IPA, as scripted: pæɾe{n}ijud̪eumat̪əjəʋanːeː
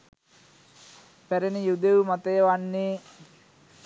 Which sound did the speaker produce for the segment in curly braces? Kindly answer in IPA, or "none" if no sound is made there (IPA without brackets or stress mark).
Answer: n